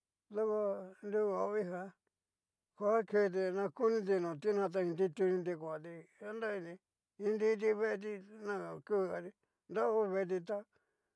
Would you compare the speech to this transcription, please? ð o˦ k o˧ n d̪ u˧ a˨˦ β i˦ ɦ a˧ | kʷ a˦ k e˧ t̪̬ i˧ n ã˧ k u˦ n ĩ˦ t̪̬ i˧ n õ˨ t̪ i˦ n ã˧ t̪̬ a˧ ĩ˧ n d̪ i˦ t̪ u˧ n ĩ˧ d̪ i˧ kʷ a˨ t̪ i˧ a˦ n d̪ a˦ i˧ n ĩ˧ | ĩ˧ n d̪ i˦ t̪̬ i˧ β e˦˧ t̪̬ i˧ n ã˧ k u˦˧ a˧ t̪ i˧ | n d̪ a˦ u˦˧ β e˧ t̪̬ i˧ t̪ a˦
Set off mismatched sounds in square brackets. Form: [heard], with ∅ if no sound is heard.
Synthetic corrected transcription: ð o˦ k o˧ n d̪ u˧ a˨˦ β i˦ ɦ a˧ | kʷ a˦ k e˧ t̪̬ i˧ n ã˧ k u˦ n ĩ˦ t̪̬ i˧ n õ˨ t̪ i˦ n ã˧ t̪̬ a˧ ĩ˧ n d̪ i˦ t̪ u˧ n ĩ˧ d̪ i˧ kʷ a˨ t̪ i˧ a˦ n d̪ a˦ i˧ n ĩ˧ | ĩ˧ n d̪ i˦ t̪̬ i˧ β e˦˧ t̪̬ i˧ n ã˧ k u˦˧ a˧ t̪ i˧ | n d̪ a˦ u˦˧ β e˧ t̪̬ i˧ t̪ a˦